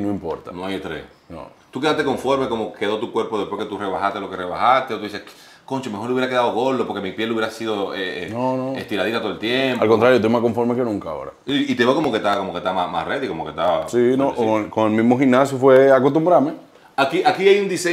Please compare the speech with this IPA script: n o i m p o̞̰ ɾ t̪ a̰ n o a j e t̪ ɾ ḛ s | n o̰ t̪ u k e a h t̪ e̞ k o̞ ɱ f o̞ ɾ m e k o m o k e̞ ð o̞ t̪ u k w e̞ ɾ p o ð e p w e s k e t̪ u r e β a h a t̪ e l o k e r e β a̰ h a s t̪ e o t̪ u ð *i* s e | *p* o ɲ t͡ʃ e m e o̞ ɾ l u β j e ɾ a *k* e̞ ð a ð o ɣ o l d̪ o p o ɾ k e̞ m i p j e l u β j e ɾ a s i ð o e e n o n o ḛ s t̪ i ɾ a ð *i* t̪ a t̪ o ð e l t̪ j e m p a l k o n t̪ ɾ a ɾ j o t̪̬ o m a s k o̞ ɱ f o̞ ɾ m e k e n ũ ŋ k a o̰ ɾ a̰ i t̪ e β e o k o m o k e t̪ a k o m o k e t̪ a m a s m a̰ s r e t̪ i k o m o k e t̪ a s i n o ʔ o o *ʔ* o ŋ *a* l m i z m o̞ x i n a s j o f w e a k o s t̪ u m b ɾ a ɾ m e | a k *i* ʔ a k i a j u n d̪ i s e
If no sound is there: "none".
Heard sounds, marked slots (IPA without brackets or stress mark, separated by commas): i, k, k, i, k, e, i